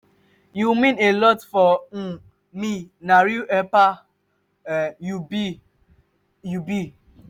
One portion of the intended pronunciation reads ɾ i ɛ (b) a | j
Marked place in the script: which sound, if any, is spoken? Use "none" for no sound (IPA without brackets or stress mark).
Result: p